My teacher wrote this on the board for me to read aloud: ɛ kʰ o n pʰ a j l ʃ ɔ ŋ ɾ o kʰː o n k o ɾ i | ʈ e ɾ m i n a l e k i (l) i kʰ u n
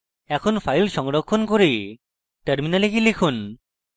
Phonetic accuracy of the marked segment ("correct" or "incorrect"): correct